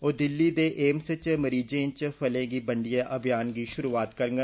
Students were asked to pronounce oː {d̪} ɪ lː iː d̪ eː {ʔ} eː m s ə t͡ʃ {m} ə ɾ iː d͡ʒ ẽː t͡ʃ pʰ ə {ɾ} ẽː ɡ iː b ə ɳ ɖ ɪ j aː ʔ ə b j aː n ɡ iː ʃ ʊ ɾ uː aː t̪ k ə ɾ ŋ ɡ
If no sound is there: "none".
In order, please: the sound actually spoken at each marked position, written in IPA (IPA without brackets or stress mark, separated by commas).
d̪, ʔ, m, l